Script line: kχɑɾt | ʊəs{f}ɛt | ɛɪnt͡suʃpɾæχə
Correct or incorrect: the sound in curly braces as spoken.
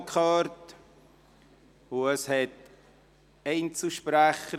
incorrect: h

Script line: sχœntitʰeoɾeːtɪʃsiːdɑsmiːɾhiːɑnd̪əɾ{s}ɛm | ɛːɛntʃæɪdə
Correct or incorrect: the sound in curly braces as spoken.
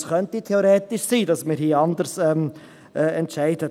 correct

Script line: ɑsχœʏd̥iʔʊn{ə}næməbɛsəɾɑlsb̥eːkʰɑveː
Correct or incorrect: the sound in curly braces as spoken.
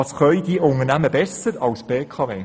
correct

